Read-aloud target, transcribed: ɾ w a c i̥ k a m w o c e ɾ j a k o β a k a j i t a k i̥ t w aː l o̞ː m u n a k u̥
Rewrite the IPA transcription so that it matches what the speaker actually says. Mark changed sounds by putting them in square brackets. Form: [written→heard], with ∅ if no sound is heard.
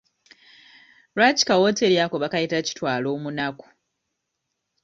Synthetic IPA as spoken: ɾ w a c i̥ k a [m→∅] w o [c→t] e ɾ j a k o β a k a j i t a [k→c] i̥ t w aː l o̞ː m u n a k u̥

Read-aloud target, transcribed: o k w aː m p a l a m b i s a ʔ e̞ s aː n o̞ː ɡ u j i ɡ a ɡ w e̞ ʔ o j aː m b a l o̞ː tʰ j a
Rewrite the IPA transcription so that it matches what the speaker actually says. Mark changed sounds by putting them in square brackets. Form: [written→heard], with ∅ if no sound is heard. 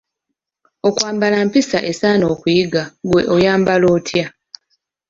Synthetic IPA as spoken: o k w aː m [p→b] a l a m [b→p] i s a ʔ e̞ s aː n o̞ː [ɡ→k] u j i ɡ a ɡ w e̞ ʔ o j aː m b a l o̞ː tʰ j a

